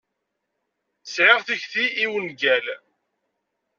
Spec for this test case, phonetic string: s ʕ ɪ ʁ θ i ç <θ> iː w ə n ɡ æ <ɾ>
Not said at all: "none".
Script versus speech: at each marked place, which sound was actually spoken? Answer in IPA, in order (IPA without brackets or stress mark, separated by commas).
θ, l